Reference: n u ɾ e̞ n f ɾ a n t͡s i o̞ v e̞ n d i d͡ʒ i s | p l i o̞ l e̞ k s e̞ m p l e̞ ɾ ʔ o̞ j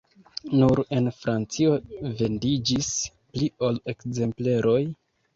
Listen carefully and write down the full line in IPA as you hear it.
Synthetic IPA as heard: n u ɾ e̞ n f ɾ a n t͡s i o̞ v e̞ n d i d͡ʒ i s | p l i o̞ l e̞ k z e̞ m p l e̞ ɾ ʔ o̞ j